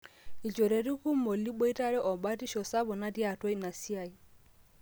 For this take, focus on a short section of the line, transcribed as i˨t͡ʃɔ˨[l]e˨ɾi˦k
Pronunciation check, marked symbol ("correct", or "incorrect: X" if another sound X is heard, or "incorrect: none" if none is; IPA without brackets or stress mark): incorrect: ɾ